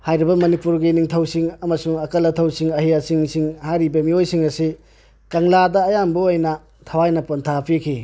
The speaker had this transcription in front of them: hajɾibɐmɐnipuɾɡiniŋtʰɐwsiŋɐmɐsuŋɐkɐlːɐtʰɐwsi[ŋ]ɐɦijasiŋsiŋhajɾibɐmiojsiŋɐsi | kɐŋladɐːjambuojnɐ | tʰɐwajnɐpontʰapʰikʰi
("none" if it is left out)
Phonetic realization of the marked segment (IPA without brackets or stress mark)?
ŋ